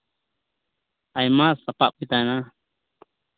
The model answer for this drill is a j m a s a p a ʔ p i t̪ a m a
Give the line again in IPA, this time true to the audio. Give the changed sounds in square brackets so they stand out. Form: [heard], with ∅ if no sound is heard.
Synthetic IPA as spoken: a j m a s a p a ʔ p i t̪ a [n] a